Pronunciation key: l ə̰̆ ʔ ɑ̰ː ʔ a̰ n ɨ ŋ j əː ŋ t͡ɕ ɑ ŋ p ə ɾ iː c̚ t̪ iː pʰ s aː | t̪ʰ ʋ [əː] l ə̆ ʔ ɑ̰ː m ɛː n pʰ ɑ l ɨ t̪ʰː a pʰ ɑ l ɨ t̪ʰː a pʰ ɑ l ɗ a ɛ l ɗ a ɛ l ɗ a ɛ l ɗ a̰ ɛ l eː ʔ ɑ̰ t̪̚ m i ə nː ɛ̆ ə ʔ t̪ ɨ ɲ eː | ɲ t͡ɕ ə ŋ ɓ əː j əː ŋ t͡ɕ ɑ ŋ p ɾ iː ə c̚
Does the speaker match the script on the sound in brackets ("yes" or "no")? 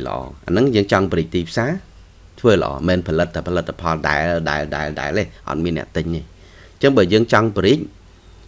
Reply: yes